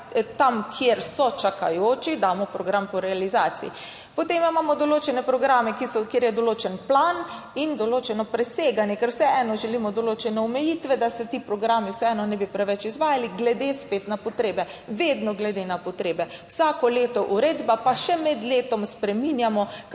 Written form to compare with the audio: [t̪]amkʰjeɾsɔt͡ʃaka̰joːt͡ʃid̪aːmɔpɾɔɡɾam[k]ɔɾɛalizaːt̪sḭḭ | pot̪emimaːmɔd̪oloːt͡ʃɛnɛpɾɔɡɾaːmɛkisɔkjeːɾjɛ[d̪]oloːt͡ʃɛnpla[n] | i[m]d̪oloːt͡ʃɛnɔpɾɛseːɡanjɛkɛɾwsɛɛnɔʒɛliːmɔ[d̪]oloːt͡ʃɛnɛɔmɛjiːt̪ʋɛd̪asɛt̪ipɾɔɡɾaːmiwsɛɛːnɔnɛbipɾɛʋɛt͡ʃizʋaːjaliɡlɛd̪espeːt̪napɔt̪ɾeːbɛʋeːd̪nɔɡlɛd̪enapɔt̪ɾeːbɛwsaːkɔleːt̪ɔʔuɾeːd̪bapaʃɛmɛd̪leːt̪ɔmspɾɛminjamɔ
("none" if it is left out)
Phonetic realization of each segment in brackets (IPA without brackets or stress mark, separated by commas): t̪, p, d̪, n, n, d̪